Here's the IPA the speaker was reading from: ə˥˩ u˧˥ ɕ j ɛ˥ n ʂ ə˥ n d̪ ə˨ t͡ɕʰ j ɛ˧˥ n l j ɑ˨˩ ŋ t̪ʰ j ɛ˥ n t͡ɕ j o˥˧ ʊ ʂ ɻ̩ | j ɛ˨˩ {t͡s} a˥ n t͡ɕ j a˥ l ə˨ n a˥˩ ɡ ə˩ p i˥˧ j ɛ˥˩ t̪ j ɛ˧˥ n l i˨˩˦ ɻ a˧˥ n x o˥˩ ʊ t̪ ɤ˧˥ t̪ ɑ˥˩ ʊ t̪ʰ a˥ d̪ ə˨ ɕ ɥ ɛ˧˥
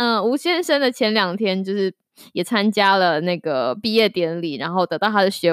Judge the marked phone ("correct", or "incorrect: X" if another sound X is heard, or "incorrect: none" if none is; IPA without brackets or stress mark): incorrect: t͡sʰ